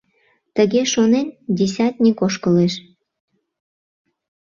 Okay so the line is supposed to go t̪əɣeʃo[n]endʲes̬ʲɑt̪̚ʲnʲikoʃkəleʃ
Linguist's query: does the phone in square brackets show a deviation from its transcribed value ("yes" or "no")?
no